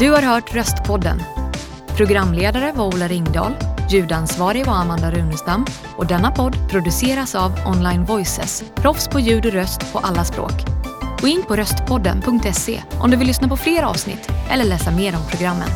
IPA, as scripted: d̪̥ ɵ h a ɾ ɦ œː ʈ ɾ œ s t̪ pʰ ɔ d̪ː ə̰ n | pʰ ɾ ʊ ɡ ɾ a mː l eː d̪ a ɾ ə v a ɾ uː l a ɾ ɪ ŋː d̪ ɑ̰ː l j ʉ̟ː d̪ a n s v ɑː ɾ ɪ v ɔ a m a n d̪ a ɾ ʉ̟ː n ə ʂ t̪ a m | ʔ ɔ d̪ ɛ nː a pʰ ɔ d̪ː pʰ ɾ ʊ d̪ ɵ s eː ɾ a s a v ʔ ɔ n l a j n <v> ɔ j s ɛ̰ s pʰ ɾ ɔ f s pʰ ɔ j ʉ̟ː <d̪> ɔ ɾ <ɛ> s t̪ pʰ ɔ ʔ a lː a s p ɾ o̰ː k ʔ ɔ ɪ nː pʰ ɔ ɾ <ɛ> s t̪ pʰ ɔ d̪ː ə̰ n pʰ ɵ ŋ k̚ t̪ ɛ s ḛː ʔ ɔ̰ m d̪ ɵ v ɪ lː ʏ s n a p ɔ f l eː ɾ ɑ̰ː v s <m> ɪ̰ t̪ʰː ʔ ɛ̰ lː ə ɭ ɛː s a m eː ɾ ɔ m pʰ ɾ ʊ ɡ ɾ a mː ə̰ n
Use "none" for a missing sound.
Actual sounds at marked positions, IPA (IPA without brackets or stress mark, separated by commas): v, d̪, œ, œ, n